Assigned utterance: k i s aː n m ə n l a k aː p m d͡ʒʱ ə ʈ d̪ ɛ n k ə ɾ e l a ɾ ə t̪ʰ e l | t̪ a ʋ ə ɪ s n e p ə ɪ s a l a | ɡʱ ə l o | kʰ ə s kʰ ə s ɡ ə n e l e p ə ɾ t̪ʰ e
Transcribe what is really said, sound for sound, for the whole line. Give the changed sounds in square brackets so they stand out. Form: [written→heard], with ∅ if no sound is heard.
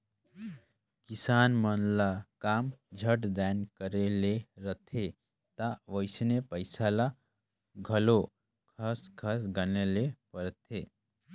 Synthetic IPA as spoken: k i s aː n m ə n l a k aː [p→∅] m d͡ʒʱ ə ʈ d̪ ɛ n k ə ɾ e l [a→e] ɾ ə t̪ʰ e [l→∅] | t̪ a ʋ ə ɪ s n e p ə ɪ s a l a | ɡʱ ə l o | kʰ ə s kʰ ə s ɡ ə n e l e p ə ɾ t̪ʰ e